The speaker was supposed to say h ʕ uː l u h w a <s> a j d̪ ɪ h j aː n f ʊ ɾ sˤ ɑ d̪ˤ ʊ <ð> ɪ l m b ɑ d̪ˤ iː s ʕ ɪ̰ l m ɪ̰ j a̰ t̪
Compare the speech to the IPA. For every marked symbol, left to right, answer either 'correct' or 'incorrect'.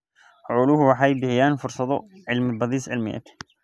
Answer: incorrect: ħ, incorrect: ʕ

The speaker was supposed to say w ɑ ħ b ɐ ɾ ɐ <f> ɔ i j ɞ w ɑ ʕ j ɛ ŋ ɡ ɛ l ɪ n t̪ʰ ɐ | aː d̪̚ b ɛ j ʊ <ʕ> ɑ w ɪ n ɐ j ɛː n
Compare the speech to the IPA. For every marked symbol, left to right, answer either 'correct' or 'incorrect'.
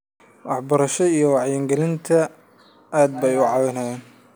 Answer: incorrect: ʃ, correct

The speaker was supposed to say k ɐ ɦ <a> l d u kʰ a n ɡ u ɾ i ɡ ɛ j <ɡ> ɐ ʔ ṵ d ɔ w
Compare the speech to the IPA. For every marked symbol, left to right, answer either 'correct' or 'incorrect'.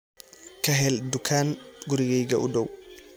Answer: incorrect: ɛ, correct

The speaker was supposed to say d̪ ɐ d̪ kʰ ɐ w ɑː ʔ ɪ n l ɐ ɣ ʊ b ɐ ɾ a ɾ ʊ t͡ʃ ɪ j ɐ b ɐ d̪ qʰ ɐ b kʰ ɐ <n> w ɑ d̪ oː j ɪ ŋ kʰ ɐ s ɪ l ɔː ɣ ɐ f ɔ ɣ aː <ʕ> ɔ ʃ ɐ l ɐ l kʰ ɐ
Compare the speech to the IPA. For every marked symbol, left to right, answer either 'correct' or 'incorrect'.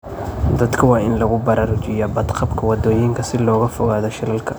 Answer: incorrect: none, incorrect: ð

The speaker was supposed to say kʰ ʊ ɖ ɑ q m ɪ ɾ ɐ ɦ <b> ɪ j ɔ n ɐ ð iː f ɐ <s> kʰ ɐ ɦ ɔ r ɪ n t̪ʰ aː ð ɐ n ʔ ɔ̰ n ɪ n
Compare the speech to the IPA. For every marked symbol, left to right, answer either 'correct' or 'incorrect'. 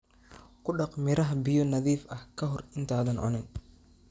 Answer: correct, incorrect: h

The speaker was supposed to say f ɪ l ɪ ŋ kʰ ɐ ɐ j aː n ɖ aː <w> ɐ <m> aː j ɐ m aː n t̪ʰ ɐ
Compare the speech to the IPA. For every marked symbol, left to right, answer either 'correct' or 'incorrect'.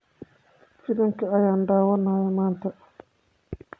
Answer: correct, incorrect: n

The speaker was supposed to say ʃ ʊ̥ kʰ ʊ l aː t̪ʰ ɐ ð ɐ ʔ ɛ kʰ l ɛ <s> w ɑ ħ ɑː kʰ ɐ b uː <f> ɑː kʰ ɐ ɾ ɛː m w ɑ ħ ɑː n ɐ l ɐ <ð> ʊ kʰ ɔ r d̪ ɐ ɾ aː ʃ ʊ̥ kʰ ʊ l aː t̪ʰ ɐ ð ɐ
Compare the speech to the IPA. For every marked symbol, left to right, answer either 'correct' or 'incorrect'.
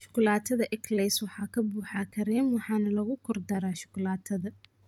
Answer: correct, incorrect: ħ, incorrect: ɣ

